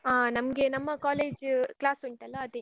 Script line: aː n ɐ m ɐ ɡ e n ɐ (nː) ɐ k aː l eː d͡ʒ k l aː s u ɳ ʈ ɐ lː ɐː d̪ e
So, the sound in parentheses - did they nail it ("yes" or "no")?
no